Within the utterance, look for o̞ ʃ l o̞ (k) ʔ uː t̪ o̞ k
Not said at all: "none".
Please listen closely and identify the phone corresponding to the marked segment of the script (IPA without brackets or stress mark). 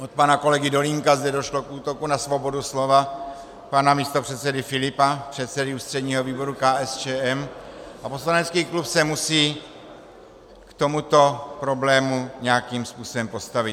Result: k